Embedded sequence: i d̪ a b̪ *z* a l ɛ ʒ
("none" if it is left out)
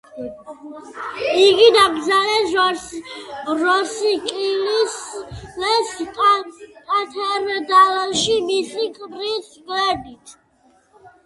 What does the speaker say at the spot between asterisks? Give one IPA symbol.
z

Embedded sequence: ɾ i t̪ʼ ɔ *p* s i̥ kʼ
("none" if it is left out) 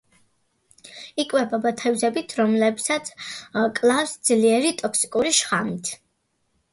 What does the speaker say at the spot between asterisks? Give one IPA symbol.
k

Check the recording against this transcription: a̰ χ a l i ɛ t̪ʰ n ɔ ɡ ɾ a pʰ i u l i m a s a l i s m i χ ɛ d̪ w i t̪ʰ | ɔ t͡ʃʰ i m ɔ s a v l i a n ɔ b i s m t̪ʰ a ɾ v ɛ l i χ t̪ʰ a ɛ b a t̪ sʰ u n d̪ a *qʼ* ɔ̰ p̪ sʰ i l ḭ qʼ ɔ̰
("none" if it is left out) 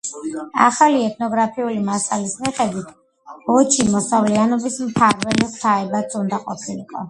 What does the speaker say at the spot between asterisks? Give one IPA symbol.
qʼ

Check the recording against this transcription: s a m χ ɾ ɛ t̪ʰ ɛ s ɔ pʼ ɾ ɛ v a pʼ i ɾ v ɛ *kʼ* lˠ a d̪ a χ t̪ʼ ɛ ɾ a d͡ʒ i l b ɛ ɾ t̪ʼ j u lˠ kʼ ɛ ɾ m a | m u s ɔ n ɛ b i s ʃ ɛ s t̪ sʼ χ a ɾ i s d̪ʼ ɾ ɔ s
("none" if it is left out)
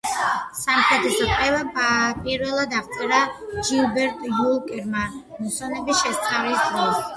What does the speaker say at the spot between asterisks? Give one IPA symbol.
none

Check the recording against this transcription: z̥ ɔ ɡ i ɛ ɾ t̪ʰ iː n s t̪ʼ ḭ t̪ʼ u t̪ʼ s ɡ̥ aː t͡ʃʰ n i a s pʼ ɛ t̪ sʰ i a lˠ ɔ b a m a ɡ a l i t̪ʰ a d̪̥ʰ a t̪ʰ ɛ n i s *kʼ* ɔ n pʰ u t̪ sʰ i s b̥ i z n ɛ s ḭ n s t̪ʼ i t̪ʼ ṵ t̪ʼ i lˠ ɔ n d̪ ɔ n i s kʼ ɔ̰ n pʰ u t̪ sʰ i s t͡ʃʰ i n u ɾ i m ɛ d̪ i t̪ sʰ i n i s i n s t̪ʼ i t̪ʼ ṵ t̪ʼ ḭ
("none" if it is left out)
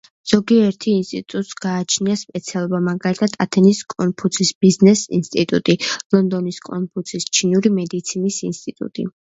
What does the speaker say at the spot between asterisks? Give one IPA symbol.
kʼ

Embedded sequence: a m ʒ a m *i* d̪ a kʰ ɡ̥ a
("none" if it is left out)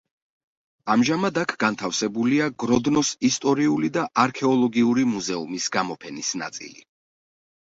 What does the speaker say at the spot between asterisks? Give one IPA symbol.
a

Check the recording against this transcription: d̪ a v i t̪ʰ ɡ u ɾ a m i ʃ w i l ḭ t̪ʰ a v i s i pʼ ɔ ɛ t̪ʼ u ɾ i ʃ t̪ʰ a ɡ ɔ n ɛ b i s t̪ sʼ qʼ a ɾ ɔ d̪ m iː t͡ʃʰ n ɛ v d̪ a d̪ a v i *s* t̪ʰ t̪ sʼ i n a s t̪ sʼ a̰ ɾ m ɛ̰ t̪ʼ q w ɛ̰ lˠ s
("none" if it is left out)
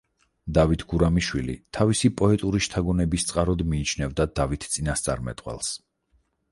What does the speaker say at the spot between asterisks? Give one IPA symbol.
none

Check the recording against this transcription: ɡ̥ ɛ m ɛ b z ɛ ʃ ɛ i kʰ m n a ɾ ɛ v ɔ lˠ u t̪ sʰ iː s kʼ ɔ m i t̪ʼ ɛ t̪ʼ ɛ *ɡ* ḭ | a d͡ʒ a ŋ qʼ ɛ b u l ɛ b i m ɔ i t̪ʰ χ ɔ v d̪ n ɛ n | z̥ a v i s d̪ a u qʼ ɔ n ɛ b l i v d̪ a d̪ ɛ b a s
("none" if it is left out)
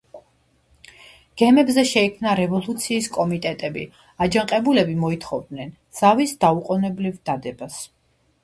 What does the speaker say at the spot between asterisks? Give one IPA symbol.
b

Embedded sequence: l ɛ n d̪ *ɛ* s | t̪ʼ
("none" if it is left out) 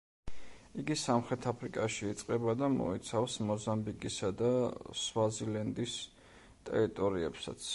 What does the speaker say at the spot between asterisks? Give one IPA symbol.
i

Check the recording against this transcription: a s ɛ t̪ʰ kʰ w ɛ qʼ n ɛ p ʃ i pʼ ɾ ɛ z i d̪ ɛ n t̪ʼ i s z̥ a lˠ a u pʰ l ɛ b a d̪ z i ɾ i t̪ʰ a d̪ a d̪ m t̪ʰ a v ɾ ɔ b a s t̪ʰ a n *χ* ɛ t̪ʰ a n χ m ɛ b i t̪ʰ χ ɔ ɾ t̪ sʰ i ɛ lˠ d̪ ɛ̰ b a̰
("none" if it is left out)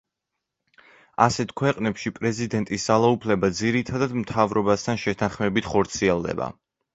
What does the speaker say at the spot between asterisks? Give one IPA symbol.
ʃ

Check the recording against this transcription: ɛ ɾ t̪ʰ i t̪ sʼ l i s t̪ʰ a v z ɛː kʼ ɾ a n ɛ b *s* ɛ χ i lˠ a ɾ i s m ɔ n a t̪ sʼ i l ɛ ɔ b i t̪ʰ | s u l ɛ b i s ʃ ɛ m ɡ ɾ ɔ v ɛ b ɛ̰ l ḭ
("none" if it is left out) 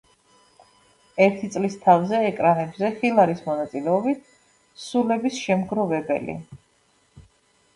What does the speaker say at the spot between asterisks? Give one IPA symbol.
z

